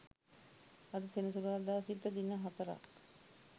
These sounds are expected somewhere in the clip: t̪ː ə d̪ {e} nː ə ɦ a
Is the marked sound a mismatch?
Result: yes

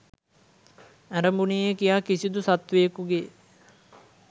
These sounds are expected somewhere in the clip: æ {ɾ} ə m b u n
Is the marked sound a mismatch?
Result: no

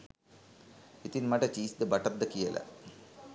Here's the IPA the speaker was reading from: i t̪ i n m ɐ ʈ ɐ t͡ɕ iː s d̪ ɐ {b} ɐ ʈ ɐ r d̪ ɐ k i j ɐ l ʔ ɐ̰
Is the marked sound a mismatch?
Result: no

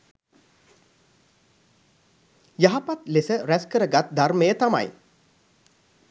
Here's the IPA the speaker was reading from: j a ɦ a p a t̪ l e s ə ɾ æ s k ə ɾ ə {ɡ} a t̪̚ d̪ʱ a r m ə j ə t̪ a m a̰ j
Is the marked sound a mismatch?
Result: no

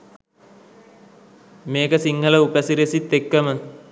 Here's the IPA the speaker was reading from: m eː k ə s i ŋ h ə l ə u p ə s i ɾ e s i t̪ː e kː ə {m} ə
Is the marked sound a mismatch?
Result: no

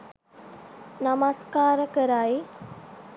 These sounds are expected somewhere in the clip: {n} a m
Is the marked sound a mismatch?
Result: no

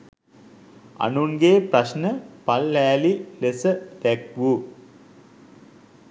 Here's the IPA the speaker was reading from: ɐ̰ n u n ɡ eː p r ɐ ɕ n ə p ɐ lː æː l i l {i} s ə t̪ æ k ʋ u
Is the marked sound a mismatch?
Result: yes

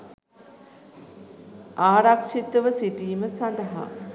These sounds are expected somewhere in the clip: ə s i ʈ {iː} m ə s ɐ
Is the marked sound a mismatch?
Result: no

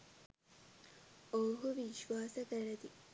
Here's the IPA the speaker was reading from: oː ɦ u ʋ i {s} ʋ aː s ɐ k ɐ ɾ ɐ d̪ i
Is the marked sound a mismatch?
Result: yes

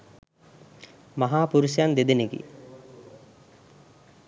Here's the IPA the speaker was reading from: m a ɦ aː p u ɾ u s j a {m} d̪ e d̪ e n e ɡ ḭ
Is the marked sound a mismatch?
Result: yes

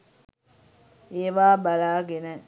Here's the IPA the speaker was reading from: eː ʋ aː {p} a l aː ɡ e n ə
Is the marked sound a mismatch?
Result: yes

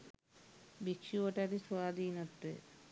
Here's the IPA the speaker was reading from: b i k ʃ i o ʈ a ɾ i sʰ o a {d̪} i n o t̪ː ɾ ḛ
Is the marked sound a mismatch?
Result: no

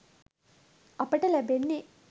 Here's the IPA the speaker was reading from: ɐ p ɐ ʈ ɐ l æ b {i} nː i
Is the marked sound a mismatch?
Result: yes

